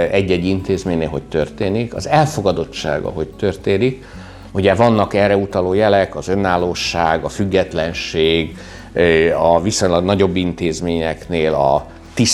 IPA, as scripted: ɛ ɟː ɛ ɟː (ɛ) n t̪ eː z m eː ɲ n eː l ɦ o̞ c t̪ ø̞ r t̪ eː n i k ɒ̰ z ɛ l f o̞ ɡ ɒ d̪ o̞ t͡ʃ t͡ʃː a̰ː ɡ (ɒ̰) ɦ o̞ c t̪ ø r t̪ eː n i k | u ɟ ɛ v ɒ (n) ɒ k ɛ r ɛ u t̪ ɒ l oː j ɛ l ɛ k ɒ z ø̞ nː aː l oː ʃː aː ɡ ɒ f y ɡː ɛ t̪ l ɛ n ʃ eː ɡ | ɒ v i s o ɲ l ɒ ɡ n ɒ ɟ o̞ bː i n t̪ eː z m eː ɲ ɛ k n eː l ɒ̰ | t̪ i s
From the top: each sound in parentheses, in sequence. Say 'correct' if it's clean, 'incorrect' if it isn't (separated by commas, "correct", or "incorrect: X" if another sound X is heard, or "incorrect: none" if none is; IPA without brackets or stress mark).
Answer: incorrect: i, correct, incorrect: nː